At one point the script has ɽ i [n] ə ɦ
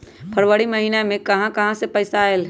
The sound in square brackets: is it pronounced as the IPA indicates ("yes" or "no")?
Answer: no